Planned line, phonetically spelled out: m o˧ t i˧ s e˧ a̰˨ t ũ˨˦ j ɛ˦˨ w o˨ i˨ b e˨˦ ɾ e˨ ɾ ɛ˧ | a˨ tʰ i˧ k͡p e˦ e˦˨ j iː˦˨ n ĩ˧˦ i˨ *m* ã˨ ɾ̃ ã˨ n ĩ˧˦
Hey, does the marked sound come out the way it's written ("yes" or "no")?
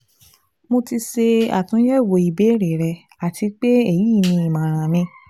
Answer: yes